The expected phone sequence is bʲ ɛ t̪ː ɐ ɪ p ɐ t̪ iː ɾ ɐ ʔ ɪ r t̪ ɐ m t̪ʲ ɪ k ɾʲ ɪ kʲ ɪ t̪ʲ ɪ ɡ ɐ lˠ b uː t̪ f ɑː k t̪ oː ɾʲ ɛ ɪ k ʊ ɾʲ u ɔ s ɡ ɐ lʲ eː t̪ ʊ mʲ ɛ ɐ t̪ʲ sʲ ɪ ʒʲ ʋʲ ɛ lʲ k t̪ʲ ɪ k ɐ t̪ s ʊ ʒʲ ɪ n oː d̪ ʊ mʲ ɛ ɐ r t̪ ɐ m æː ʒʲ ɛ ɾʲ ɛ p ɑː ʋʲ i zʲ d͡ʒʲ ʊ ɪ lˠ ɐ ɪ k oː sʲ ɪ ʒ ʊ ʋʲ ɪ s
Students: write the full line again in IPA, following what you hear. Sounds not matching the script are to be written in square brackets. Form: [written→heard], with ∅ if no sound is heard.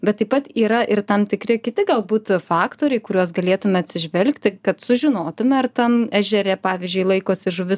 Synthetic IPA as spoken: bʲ ɛ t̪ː ɐ ɪ p ɐ t̪ iː ɾ ɐ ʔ ɪ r t̪ ɐ m t̪ʲ ɪ k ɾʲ ɪ kʲ ɪ t̪ʲ ɪ ɡ ɐ lˠ b uː t̪ f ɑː k t̪ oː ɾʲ ɛ ɪ k ʊ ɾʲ u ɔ s ɡ ɐ lʲ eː t̪ ʊ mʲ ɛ ɐ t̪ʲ sʲ ɪ ʒʲ ʋʲ ɛ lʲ k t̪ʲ ɪ k ɐ t̪ s ʊ ʒʲ ɪ n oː [d̪→t̪] ʊ mʲ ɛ ɐ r t̪ ɐ m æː ʒʲ ɛ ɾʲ ɛ p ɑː ʋʲ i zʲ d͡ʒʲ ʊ ɪ lˠ ɐ ɪ k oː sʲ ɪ ʒ ʊ ʋʲ ɪ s